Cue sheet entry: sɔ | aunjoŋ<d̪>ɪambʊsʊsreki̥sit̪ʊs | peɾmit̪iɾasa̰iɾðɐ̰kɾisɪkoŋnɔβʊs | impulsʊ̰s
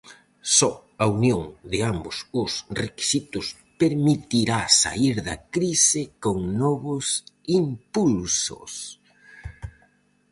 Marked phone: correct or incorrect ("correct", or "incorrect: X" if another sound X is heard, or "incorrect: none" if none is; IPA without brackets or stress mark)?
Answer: correct